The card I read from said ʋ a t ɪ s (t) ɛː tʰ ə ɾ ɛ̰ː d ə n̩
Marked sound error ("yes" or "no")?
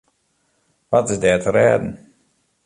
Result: yes